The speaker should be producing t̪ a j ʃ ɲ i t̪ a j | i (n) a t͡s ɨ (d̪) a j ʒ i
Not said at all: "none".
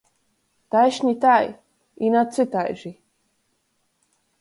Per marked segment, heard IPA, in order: n, t̪

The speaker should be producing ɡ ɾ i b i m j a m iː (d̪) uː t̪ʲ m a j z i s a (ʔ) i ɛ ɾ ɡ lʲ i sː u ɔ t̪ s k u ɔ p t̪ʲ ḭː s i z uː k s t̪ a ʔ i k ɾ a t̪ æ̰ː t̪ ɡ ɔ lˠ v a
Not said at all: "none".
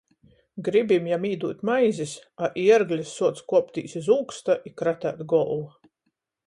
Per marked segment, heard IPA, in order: d̪, ʔ

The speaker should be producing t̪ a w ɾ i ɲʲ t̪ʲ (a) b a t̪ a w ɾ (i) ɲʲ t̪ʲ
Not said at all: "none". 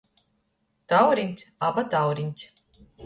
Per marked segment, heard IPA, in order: a, i

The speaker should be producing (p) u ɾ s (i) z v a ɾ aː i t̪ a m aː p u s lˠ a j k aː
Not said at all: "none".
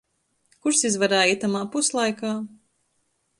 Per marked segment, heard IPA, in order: k, i

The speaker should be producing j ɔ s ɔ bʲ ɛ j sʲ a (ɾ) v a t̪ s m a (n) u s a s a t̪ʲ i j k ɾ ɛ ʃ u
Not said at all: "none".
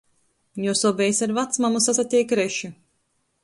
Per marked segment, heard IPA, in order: ɾ, m

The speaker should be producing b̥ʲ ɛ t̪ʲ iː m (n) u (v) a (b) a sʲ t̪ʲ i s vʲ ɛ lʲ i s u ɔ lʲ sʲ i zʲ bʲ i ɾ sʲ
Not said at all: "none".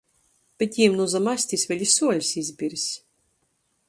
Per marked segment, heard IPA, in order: n, z, m

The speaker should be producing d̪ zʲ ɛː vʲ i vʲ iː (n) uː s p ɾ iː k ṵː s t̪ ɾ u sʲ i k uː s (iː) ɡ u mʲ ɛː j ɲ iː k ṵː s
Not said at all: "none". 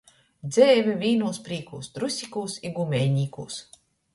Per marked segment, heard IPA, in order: n, i

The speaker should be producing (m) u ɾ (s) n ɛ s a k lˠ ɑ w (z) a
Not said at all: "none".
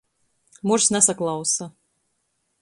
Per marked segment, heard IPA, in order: m, s, s

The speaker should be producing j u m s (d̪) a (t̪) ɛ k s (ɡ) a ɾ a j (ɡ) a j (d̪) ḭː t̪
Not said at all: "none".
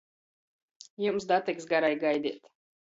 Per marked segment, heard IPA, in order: d̪, t̪, ɡ, ɡ, d̪

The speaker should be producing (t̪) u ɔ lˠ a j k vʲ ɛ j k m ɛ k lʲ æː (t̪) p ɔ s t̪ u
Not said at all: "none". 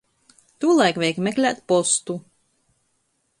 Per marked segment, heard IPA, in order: t̪, t̪

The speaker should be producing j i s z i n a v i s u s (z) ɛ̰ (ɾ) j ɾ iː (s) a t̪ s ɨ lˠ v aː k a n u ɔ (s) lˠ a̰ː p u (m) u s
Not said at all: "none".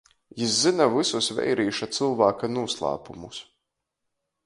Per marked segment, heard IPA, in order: v, none, ʃ, s, m

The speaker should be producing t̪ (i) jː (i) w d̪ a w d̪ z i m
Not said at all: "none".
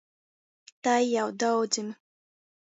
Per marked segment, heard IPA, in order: a, a

